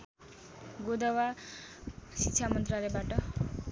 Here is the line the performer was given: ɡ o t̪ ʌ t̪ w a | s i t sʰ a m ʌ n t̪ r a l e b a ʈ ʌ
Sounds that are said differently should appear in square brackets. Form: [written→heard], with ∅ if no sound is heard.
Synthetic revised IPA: ɡ o [t̪→d̪] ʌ [t̪→∅] w a | s i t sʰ a m ʌ n t̪ r a l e b a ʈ ʌ